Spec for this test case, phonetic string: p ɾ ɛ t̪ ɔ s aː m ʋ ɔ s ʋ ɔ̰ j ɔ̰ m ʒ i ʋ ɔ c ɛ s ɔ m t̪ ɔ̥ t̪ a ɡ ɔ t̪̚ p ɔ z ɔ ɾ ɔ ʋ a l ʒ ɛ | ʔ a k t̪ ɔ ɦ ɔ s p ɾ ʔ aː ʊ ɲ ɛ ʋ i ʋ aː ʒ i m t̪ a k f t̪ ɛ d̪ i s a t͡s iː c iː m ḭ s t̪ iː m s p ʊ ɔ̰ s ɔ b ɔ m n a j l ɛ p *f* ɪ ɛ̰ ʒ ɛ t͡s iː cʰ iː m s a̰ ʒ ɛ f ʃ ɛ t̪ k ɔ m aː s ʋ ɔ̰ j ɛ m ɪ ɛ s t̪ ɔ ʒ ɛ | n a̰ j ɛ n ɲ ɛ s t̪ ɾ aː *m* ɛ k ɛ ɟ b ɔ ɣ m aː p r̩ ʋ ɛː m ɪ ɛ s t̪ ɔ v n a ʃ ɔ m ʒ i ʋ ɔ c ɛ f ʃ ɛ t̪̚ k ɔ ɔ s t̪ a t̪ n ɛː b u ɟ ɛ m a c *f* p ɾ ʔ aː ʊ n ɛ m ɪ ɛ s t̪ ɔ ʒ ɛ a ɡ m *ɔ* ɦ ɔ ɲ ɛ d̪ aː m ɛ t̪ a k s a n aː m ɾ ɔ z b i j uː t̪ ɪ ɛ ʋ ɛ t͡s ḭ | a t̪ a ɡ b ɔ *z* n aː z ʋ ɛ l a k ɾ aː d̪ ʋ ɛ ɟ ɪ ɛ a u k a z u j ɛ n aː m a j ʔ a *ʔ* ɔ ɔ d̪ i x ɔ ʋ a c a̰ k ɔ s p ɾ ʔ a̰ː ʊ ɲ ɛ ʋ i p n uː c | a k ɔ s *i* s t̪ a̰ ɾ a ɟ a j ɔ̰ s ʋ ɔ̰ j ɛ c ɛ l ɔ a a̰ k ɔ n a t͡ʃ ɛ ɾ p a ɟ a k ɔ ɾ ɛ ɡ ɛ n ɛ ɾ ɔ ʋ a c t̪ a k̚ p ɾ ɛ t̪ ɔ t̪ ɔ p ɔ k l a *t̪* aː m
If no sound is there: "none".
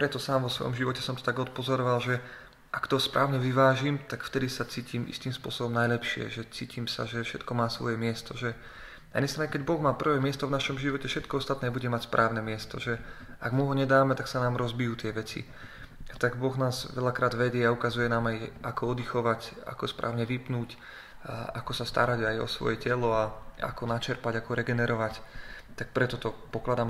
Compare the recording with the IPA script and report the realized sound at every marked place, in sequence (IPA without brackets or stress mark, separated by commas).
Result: ʃ, ɲ, s, u, ɣ, k, a, d̪